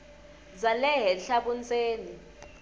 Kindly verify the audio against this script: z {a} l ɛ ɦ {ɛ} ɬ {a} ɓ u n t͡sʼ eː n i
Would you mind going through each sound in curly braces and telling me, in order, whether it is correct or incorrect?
correct, correct, correct

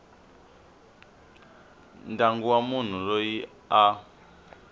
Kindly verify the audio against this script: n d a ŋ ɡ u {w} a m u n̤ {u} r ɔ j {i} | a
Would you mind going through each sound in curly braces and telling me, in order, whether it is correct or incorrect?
correct, correct, correct

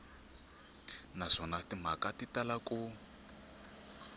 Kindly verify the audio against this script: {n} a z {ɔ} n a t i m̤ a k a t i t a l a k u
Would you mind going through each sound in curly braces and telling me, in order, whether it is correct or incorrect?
correct, correct

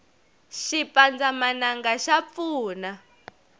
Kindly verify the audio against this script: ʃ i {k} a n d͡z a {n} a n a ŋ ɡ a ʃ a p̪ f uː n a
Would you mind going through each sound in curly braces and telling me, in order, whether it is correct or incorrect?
incorrect: p, incorrect: m

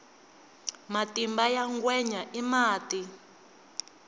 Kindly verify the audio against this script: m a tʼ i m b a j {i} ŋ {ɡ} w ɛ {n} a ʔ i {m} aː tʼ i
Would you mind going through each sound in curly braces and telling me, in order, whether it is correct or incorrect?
incorrect: a, correct, incorrect: ɲ, correct

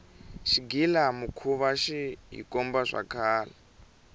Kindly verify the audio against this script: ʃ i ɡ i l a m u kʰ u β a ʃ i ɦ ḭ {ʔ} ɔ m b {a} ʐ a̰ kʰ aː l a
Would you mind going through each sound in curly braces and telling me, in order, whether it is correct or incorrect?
incorrect: k, correct

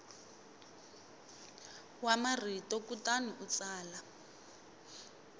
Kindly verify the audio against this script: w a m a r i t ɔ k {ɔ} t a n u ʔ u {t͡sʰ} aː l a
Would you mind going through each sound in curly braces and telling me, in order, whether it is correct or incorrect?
incorrect: u, incorrect: t͡s

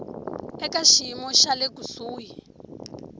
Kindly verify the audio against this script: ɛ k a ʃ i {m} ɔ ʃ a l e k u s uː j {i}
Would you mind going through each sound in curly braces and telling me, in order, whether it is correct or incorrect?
correct, correct

